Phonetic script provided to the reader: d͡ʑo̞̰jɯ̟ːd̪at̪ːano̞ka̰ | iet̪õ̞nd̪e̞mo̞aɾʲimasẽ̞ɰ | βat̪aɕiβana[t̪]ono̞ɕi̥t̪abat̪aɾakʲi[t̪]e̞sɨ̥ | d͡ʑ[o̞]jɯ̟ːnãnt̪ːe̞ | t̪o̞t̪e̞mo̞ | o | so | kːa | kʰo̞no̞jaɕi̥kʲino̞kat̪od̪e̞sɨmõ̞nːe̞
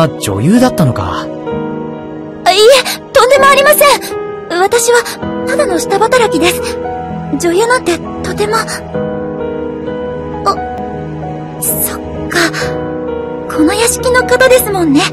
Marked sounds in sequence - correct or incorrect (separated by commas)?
incorrect, incorrect, correct